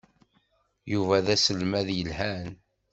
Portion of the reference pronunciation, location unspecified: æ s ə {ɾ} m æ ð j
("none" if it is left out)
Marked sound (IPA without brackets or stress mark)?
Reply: l